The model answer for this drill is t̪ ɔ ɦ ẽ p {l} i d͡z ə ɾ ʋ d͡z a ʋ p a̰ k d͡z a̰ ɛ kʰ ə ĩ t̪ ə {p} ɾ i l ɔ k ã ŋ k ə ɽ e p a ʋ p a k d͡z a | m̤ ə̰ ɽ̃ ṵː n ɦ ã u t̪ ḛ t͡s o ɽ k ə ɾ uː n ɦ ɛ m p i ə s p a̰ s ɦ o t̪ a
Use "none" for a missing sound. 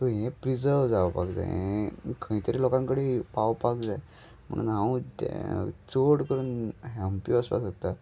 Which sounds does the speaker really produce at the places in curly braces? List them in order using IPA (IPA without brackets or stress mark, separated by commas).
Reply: ɾ, none